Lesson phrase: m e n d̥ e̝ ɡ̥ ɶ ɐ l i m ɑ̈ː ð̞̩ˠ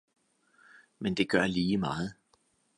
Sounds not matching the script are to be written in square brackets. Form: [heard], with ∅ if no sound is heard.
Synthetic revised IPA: m e n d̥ e̝ ɡ̥ ɶ ɐ l [iː] m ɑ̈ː ð̞̩ˠ